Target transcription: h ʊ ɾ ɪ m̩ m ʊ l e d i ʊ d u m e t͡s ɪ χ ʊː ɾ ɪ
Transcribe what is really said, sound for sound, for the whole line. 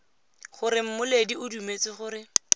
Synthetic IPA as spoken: χ ʊ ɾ ɪ m̩ m ʊ l e d i ʊ d u m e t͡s ɪ χ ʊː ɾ ɪ